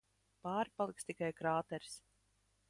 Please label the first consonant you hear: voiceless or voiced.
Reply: voiceless